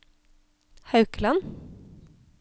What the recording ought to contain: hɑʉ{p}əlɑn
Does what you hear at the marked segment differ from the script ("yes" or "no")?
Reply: yes